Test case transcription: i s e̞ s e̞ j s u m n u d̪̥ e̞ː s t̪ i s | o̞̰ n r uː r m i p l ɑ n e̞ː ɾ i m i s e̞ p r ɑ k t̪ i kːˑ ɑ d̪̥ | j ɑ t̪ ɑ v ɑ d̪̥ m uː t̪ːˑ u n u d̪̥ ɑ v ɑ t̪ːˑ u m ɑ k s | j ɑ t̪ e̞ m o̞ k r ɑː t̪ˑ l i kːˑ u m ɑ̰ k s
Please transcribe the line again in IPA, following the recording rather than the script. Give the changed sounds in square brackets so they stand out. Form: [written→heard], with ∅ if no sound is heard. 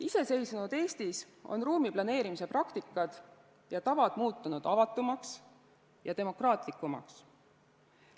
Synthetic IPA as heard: i s e̞ s e̞ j s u [m→∅] n u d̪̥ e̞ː s t̪ i s | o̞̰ n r uː [r→∅] m i p l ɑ n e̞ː ɾ i m i s e̞ p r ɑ k t̪ i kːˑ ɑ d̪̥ | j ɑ t̪ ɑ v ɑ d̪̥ m uː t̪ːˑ u n u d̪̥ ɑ v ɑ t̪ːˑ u m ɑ k s | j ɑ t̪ e̞ m o̞ k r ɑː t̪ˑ l i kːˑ u m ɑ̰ k s